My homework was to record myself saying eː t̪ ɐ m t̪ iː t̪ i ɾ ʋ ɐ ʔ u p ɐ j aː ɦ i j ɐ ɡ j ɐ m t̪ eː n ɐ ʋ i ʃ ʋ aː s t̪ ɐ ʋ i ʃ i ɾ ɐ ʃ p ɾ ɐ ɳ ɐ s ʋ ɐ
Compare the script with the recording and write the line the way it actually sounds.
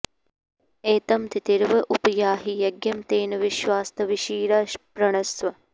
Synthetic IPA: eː t̪ ɐ m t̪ i t̪ i ɾ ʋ ɐ ʔ u p ɐ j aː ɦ i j ɐ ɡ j ɐ m t̪ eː n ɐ ʋ i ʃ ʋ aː s t̪ ɐ ʋ i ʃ iː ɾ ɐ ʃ p ɾ ɐ ɳ ɐ s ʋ ɐ